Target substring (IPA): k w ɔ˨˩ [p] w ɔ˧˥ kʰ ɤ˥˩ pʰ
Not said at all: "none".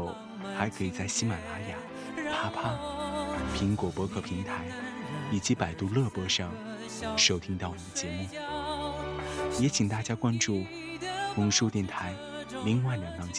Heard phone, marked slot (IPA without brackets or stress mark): p